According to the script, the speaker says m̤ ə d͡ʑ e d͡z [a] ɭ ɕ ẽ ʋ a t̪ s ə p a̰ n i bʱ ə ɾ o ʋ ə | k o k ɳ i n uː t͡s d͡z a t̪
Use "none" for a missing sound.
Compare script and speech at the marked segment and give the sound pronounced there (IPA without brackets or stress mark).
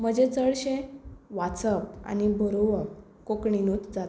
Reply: ə